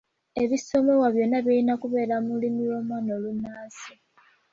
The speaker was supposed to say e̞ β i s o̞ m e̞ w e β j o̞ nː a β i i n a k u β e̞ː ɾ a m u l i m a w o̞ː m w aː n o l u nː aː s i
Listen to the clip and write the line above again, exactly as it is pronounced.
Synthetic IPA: e̞ β i s o̞ m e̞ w a β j o̞ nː a β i i n a k u β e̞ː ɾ a m u l i m i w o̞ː m w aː n o l u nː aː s i

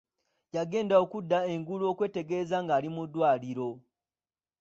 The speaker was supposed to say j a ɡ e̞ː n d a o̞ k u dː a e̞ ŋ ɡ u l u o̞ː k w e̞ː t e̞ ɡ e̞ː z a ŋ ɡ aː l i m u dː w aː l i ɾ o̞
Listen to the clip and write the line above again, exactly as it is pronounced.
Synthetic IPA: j a ɡ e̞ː n d a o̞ k u dː a e̞ ŋ ɡ u l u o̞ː k w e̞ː t e̞ ɡ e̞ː z a ŋ ɡ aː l i m u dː w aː l i ɾ o̞

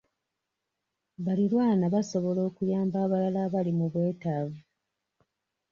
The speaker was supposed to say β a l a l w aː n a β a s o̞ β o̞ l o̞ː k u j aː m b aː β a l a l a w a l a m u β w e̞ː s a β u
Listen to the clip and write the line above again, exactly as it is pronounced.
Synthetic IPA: β a l i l w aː n a β a s o̞ β o̞ l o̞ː k u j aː m b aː β a l a l a β a l i m u β w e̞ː t a v u

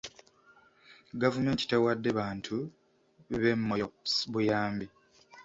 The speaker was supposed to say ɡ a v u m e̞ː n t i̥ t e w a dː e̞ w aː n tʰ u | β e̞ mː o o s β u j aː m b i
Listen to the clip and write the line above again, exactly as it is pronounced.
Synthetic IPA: ɡ a v u m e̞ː n t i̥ t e w a dː e̞ β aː n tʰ u | β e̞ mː o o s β u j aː m b i

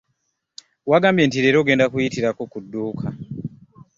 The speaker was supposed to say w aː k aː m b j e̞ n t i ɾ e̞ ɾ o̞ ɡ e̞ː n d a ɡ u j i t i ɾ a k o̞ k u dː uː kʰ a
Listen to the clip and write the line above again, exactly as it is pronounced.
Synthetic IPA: w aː ɡ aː m b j e̞ n t i ɾ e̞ ɾ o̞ ɡ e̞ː n d a k u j i t i ɾ a k o̞ k u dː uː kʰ a

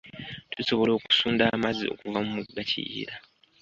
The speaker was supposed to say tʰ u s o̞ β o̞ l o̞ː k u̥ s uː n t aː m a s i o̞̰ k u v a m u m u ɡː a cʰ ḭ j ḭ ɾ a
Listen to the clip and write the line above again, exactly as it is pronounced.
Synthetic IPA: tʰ u s o̞ β o̞ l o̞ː k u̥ s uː n d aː m a z i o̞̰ k u v a m u m u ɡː a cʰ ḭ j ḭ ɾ a

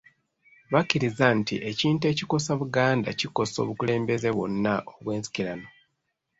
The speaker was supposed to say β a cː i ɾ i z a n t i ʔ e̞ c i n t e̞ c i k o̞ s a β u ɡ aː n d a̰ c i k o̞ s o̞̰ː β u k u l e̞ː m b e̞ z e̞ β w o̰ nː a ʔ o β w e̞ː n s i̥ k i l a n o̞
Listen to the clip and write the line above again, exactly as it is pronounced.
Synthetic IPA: β a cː i ɾ i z a n t i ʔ e̞ c iː n t e̞ c i k o̞ s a β u ɡ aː n d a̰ c i k o̞ s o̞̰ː β u k u l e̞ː m b e̞ z e̞ β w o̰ nː a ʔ o β w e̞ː n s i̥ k i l a n o̞

